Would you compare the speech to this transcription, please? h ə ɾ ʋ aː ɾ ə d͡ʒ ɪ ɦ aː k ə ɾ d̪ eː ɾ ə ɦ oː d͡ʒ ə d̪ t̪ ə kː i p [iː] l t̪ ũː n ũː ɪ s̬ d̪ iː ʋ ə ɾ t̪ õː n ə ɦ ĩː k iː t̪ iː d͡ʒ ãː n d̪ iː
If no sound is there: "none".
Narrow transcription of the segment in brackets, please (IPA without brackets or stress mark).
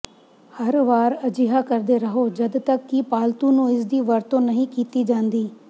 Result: aː